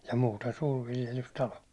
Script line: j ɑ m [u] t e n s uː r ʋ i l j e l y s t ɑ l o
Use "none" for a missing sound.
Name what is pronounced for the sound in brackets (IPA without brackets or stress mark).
uː